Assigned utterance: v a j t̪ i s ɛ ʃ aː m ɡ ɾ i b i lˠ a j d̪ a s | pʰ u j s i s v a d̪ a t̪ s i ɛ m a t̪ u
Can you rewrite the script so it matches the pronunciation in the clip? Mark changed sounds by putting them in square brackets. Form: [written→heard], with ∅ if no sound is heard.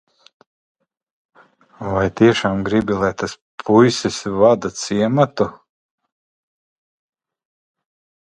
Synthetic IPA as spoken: v a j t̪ i [s→∅] ɛ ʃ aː m ɡ ɾ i b i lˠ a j [d̪→t̪] a s | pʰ u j s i s v a d̪ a t̪ s i ɛ m a t̪ u